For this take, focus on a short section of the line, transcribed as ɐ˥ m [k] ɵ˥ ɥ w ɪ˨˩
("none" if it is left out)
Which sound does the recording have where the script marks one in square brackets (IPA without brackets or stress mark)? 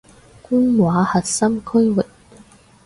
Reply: kʰ